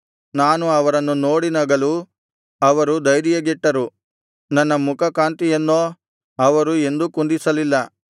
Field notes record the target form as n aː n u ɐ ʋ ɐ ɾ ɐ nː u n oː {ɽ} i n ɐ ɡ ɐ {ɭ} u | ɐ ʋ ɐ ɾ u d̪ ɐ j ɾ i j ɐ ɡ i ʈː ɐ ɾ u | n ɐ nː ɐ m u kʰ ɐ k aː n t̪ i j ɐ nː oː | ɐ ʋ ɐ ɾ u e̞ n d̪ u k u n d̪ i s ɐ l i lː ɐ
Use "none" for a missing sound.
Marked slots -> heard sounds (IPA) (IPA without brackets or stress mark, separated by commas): ɽ, l